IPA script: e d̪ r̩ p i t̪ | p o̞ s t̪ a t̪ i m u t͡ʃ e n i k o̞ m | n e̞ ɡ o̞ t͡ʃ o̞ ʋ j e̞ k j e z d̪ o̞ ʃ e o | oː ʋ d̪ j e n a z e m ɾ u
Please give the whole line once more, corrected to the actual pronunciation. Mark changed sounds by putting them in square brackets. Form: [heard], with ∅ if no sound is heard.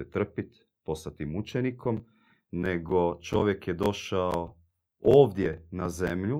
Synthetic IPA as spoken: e [t̪] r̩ p i t̪ | p o̞ s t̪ a t̪ i m u t͡ʃ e n i k o̞ m | n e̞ ɡ o̞ t͡ʃ o̞ ʋ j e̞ k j e [∅] d̪ o̞ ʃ [a] o | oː ʋ d̪ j e n a z e m [ʎ] u